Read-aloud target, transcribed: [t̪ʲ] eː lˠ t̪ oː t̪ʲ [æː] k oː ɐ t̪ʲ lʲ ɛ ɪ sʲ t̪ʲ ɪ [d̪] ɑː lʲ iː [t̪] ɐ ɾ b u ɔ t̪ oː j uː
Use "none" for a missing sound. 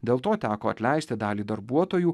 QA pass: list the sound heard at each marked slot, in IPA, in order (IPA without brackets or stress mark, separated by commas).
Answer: d̪ʲ, æː, d̪, d̪